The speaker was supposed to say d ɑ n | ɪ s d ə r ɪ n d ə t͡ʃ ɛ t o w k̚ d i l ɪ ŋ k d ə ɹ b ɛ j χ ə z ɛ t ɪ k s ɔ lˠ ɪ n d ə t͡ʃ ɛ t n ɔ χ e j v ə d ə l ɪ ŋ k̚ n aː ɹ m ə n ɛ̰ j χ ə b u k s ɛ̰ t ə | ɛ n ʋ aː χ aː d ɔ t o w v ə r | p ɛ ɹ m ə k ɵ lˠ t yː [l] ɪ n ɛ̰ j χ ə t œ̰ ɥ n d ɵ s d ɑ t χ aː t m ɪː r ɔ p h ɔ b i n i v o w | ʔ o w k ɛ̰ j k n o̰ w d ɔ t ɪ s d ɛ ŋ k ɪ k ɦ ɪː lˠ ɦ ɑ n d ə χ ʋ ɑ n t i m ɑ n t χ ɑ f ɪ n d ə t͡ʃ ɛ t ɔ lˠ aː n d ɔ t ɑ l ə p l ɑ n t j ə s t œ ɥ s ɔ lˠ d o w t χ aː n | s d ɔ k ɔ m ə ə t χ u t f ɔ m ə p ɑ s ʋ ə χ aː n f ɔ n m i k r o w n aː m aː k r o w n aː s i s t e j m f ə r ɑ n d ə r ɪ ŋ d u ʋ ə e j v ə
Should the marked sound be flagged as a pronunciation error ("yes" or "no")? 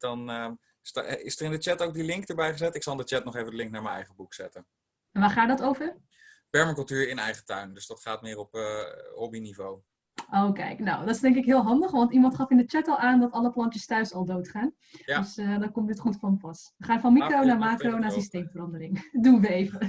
yes